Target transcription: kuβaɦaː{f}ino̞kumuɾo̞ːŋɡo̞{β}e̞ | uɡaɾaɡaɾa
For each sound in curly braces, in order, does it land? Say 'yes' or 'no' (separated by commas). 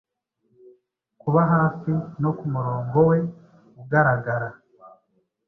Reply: no, no